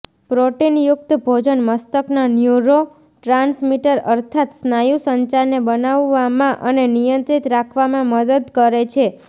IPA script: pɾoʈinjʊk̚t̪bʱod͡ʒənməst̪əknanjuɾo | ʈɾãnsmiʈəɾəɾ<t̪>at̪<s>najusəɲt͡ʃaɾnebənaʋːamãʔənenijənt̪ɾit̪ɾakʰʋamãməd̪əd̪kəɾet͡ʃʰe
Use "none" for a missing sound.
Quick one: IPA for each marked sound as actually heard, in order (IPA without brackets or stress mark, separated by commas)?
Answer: t̪ʰ, s